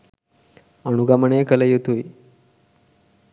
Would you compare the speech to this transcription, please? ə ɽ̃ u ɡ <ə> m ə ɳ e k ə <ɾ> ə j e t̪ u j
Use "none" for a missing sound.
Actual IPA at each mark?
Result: a, l

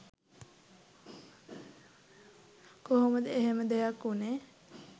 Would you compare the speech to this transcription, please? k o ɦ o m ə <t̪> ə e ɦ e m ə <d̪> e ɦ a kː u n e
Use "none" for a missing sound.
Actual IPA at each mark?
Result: d̪, d̪

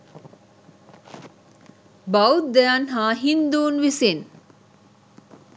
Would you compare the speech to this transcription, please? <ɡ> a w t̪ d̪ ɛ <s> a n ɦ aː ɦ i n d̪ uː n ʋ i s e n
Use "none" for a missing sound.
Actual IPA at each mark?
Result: b, none

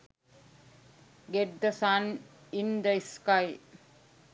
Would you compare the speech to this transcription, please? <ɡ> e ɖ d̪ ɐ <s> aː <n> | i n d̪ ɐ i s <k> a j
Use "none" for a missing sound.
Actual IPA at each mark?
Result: ɡ, s, n, k

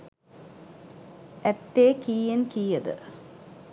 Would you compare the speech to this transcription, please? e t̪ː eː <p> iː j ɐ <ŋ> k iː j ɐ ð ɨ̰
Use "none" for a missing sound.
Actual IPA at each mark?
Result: k, n

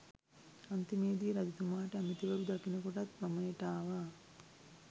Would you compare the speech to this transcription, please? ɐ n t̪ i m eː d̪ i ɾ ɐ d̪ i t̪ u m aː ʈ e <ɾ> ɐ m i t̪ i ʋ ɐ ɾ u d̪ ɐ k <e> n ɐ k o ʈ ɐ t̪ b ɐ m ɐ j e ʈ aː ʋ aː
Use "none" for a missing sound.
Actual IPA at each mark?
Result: none, i

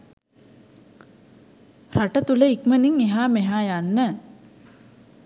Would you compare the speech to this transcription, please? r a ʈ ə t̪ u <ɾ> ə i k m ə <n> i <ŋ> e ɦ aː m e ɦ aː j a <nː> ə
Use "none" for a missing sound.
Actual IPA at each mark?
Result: l, n, ŋ, nː

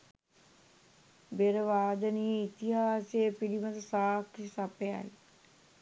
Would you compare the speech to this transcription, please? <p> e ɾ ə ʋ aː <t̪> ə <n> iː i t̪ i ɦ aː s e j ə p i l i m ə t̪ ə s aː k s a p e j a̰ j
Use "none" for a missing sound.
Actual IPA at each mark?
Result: b, d̪, n

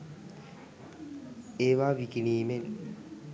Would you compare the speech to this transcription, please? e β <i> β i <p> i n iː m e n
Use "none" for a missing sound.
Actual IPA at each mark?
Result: a, k

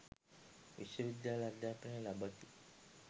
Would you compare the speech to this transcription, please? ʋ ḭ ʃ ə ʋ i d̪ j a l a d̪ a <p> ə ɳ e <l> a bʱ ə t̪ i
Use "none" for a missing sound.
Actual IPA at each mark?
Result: p, l

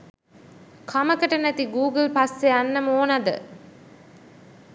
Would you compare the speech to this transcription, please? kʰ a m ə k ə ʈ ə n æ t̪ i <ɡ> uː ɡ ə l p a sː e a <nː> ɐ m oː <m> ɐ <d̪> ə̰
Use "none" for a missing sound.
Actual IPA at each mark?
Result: ɡ, nː, n, d̪

